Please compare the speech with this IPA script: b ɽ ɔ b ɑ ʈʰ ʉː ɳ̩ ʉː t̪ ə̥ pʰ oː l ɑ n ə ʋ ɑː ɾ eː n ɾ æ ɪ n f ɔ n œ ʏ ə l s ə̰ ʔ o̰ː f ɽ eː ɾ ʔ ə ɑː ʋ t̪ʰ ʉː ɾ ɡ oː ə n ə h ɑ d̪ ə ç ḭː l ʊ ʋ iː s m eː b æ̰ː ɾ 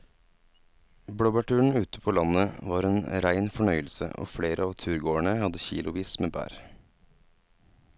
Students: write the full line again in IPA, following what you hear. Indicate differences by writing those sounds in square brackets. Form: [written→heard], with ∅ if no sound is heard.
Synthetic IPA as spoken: b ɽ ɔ b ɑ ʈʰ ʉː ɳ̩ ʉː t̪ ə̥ pʰ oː l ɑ n ə ʋ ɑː ɾ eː n ɾ æ ɪ n f ɔ [n→ɳ] œ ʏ ə l s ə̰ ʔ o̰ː f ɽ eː ɾ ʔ ə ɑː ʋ t̪ʰ ʉː ɾ ɡ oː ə [n→ɳ] ə h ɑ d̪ ə ç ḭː l ʊ ʋ iː s m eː b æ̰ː ɾ